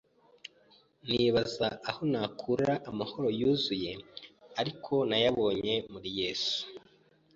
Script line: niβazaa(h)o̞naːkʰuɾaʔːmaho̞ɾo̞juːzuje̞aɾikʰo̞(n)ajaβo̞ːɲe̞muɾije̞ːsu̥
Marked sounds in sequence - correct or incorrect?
correct, correct

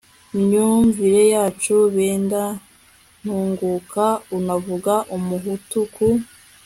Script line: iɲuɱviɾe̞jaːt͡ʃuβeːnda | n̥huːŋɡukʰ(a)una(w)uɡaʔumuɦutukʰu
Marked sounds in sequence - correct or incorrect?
correct, incorrect: v

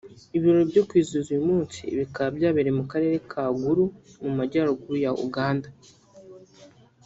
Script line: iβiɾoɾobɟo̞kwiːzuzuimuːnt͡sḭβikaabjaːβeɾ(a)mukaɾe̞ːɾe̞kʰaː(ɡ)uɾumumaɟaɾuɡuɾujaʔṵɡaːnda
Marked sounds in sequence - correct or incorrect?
incorrect: e, correct

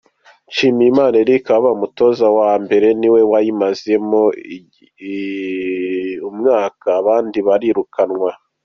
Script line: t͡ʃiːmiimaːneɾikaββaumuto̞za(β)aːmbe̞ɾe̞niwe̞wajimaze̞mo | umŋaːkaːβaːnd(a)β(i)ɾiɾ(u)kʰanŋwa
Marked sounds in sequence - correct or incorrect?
incorrect: w, incorrect: i, incorrect: a, correct

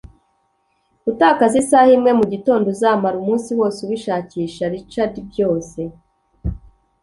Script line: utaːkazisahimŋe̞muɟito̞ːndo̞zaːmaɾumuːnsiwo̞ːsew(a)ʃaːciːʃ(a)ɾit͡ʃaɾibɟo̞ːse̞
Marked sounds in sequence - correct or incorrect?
incorrect: i, correct

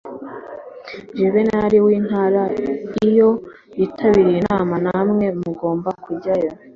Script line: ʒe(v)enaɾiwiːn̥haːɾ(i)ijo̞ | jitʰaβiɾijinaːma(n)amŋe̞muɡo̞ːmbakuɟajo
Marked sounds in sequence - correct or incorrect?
incorrect: β, incorrect: a, correct

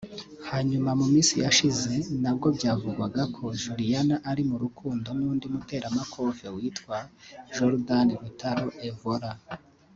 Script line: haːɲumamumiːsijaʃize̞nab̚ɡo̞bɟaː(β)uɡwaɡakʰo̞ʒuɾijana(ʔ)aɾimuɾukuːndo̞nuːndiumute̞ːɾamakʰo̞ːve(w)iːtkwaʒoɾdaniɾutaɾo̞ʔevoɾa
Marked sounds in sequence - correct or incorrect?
incorrect: v, correct, correct

